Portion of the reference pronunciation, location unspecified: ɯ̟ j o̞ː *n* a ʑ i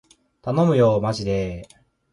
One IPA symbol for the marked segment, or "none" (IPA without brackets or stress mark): m